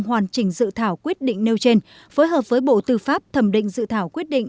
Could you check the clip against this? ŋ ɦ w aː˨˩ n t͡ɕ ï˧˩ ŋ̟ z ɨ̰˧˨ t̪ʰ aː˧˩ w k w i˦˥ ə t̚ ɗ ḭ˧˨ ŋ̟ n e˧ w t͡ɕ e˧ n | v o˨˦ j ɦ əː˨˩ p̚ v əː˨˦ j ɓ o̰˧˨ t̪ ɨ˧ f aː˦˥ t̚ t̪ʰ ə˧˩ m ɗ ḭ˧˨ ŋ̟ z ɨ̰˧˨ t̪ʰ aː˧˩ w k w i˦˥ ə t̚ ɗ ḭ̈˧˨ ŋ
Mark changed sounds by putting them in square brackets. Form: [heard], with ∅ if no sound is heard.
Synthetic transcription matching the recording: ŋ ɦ w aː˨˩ n t͡ɕ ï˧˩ ŋ̟ z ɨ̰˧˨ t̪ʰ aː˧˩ w k w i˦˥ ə t̚ ɗ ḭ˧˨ ŋ̟ n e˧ w t͡ɕ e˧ n | [f] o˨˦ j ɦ əː˨˩ p̚ v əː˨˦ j ɓ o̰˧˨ t̪ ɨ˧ f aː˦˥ [p̚] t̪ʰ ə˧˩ m ɗ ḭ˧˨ ŋ̟ z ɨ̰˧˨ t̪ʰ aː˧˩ w k w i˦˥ ə t̚ ɗ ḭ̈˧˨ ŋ